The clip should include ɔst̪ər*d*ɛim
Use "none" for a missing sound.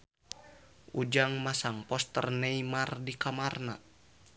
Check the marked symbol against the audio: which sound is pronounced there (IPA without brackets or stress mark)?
n